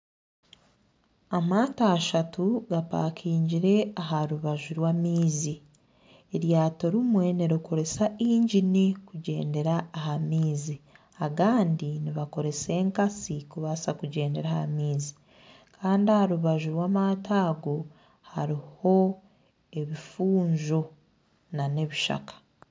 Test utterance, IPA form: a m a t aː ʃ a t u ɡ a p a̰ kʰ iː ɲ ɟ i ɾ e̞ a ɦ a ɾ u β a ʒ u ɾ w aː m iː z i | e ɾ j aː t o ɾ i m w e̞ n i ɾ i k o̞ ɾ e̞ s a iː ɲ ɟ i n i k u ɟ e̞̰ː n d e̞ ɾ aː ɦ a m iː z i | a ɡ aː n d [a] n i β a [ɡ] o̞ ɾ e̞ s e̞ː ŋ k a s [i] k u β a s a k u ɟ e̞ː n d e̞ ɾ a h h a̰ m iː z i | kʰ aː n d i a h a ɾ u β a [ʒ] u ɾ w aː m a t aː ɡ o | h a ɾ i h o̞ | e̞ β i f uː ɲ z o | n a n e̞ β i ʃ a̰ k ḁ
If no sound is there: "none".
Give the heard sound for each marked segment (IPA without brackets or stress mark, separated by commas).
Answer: i, k, i, ʒ